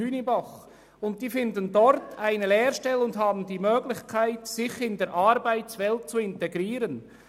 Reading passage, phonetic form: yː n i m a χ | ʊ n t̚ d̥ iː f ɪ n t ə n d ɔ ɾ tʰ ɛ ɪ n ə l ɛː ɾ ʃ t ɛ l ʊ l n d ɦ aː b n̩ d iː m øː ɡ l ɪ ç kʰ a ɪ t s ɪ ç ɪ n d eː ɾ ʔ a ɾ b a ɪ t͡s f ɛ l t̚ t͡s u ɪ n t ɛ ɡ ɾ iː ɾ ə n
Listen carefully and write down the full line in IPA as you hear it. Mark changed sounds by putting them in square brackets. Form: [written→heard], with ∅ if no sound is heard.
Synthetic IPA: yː n i [m→b] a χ | ʊ n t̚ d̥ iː f ɪ n [t→d] ə n d ɔ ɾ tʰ [ɛ→a] ɪ n ə l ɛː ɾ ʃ t ɛ l ʊ [l→∅] n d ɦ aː b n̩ d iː m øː ɡ l ɪ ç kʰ a ɪ t s ɪ ç ɪ n d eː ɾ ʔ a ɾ b a ɪ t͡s [f→v] ɛ l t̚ t͡s u ɪ n t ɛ ɡ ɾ iː ɾ ə n

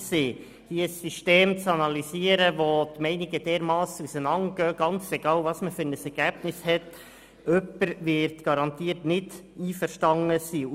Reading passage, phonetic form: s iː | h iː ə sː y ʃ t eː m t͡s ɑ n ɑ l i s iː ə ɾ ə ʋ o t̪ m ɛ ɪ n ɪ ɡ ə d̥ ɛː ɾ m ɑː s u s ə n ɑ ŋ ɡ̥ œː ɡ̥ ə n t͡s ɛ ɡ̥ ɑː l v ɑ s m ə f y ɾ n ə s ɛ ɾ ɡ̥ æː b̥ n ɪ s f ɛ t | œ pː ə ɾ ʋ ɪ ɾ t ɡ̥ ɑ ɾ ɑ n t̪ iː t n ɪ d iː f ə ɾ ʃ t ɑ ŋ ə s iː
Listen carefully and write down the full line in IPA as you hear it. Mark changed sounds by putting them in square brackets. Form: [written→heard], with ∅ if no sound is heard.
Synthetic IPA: s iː | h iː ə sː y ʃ t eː m t͡s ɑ n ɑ l i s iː ə ɾ ə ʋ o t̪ m ɛ ɪ n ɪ ɡ ə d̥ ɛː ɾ m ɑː s u s ə n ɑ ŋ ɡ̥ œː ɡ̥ [ə→ɑ] n t͡s ɛ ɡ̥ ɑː l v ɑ s m ə f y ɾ n ə s ɛ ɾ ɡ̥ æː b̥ n ɪ s [f→h] ɛ t | œ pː ə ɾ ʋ ɪ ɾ t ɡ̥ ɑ ɾ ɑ n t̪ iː t n ɪ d iː f ə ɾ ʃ t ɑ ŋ ə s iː

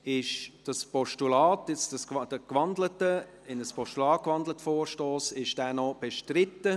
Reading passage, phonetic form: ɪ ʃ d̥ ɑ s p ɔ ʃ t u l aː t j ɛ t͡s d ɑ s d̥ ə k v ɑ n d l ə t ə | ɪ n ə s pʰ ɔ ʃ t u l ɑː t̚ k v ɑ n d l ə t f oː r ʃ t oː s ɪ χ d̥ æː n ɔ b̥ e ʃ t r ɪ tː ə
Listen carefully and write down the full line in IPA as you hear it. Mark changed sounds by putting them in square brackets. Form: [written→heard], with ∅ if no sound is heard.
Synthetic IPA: ɪ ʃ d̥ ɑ s p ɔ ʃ t u l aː t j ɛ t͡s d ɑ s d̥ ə k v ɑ n d l ə t ə | ɪ n ə s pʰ ɔ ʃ t u l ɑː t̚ k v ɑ n d l ə t f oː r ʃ t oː s ɪ [χ→ʃ] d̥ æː n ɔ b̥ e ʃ t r ɪ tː ə

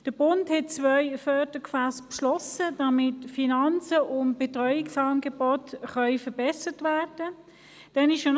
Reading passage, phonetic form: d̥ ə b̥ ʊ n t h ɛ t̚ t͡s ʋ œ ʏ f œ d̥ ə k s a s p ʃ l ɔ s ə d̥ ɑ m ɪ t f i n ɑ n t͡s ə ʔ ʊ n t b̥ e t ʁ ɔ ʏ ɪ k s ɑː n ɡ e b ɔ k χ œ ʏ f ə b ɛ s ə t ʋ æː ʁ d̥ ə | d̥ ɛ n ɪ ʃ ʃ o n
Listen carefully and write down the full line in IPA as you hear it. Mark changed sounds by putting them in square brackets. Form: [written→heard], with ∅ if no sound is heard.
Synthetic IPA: d̥ ə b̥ ʊ n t h ɛ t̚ t͡s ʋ œ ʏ f œ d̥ ə k [s→f] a s p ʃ l ɔ s ə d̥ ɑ m ɪ t f i n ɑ n t͡s ə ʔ ʊ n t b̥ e t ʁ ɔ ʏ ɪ k s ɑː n ɡ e b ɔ [k→t] χ œ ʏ f ə b ɛ s ə t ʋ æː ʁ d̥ ə | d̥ ɛ n ɪ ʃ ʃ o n

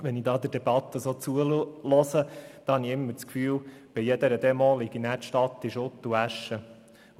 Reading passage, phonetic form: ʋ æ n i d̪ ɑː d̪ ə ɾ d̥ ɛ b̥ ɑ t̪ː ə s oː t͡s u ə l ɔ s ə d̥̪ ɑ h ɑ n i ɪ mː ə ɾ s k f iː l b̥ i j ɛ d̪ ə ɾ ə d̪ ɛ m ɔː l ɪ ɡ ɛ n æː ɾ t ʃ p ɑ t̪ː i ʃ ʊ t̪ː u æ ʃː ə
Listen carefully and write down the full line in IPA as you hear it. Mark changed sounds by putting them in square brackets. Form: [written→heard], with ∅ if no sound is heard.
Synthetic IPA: ʋ [æ→ɛ] n i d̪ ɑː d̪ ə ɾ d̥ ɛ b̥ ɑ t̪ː ə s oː t͡s u ə l ɔ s ə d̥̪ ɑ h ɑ n i ɪ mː ə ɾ [s→t͡s] k f [iː→yː] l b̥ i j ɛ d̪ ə ɾ ə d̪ ɛ m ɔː l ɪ ɡ [ɛ→i] n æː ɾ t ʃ [p→t] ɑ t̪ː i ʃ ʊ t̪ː u æ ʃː ə

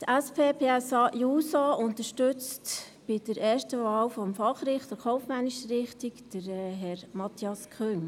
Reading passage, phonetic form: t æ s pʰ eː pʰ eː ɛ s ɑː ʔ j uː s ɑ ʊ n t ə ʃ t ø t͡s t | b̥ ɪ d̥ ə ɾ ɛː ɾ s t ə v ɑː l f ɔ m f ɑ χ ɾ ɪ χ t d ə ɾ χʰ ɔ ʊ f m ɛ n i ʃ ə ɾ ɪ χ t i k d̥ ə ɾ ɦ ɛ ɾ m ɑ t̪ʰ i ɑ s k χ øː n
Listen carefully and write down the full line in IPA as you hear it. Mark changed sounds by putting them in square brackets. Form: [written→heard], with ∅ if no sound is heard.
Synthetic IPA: t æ s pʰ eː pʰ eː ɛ s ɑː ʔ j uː s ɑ ʊ n t ə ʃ t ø t͡s t | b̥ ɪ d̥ ə ɾ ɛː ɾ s t ə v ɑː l f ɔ m f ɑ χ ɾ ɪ χ t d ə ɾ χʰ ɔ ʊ f m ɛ n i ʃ ə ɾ ɪ χ t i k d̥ ə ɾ ɦ ɛ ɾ m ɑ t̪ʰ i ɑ s k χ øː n

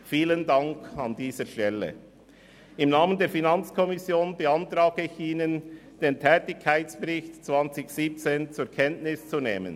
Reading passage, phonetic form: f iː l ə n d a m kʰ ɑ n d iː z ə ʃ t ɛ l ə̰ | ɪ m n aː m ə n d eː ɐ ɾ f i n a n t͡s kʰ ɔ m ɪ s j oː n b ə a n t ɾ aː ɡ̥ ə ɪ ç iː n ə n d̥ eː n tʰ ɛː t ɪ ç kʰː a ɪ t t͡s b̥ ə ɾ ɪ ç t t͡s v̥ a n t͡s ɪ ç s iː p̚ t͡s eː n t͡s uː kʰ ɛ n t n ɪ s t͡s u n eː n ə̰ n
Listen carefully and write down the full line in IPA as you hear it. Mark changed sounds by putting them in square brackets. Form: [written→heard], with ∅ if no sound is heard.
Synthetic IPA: f iː l ə n d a [m→ŋ] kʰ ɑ n d iː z ə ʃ t ɛ l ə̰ | ɪ m n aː m ə n d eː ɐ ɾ f i n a n t͡s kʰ ɔ m ɪ s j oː n b ə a n t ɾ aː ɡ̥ ə ɪ ç iː n ə n d̥ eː n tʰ ɛː t ɪ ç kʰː a ɪ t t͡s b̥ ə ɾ ɪ ç t t͡s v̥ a n t͡s ɪ ç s iː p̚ t͡s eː n t͡s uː kʰ ɛ n t n ɪ s t͡s u n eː [n→m] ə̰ n

